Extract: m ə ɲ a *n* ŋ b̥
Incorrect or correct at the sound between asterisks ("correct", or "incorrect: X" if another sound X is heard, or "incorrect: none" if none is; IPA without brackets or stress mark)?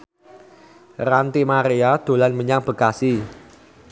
incorrect: none